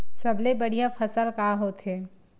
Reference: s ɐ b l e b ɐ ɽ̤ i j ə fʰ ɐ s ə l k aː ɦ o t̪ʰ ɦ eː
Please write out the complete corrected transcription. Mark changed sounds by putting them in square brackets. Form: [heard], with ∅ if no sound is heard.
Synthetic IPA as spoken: s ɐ b l e b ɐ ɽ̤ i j [a] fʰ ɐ s ə l k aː ɦ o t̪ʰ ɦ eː